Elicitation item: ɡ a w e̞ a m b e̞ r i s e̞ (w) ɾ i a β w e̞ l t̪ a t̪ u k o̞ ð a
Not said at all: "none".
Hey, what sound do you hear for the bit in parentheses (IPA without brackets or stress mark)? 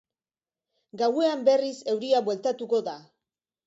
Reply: w